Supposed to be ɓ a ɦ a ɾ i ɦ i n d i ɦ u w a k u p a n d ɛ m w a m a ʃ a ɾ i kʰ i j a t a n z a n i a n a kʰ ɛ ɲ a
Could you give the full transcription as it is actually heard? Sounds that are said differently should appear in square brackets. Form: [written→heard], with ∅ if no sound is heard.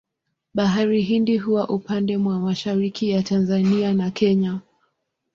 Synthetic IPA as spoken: ɓ a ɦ a ɾ i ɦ i n d i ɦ u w a [k→ʔ] u p a n d ɛ m w a m a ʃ a ɾ i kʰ i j a t a n z a n i a n a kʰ ɛ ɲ a